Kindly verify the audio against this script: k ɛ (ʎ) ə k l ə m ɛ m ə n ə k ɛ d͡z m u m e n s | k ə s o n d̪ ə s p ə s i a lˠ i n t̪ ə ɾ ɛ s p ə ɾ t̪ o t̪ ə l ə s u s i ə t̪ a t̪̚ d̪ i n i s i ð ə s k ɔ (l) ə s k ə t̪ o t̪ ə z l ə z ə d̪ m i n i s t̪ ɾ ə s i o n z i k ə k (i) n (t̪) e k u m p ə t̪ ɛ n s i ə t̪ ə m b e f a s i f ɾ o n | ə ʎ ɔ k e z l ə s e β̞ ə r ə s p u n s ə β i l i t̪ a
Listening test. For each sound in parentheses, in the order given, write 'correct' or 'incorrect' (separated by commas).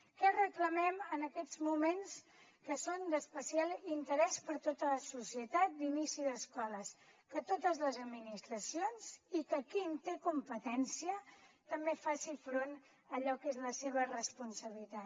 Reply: incorrect, correct, correct, correct